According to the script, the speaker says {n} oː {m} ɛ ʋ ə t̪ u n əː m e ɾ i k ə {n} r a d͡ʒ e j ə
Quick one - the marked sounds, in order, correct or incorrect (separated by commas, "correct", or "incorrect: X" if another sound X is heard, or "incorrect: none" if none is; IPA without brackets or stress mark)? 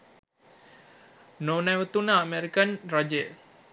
correct, incorrect: n, correct